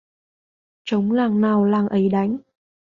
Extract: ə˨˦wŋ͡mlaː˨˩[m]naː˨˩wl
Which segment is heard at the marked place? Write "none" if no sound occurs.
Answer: ŋ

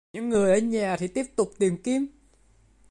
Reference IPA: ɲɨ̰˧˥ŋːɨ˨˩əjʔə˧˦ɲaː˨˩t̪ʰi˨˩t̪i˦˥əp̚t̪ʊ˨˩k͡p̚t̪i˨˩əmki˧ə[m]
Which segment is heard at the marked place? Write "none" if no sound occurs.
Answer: m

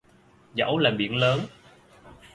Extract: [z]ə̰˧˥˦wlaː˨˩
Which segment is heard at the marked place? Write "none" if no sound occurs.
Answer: z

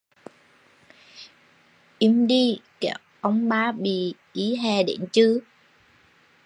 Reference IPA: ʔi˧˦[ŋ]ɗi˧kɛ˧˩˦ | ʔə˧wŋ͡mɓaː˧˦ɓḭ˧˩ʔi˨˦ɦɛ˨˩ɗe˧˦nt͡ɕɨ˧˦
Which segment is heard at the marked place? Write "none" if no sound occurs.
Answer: m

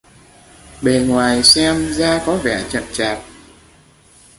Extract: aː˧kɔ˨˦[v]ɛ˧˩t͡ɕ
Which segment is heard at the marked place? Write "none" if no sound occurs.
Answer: v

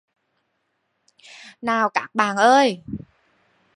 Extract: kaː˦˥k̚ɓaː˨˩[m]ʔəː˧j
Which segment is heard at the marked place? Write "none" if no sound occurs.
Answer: n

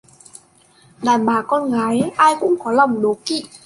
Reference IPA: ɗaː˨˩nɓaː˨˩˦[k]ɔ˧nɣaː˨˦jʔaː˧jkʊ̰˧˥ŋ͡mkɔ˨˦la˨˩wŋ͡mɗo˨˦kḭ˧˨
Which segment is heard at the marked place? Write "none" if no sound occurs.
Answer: k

